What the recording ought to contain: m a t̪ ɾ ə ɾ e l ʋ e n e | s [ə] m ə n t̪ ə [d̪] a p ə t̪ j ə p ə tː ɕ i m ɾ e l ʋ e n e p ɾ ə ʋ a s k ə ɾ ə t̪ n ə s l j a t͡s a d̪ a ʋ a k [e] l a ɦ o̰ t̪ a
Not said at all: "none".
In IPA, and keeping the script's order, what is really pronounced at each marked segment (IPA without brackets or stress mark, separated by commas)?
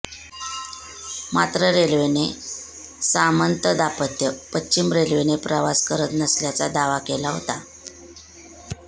a, d̪, e